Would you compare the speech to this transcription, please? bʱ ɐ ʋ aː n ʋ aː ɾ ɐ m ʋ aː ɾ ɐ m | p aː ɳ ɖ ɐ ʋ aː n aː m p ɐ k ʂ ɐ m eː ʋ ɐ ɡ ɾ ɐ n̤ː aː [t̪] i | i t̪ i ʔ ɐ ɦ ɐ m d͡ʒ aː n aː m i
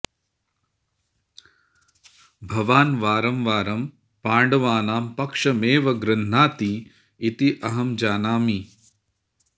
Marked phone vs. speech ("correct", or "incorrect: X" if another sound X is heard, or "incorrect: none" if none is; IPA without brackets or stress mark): correct